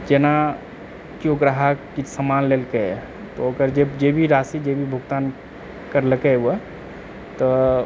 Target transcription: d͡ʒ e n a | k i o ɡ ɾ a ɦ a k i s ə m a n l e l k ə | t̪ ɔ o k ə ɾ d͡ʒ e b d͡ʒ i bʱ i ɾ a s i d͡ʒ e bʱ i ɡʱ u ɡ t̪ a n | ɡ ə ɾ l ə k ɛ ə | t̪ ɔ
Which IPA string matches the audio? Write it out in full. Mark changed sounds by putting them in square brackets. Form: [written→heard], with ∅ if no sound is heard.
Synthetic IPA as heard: d͡ʒ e n a | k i o ɡ ɾ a ɦ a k i s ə m a n l e l k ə | t̪ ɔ o k ə ɾ d͡ʒ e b d͡ʒ [i→e] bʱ i ɾ a s i d͡ʒ e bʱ i [ɡʱ→bʱ] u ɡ t̪ a n | [ɡ→k] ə ɾ l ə k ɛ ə | t̪ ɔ